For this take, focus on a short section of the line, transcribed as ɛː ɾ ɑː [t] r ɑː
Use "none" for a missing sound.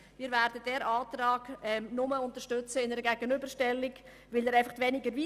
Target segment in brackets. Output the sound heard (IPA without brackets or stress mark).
t